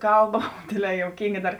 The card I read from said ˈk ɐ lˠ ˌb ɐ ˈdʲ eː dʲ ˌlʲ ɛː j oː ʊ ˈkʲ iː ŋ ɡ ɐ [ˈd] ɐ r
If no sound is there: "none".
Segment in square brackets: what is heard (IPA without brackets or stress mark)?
d